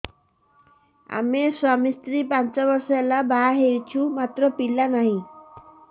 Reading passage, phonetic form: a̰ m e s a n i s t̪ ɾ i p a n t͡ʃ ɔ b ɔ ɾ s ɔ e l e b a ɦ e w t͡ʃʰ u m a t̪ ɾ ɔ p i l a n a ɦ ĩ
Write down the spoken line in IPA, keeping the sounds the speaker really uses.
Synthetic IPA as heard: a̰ m e s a m i s t̪ ɾ i p a n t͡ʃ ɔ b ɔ ɾ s ɔ e l a b a ɦ e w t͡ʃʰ u m a t̪ ɾ ɔ p i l a n a ɦ ĩ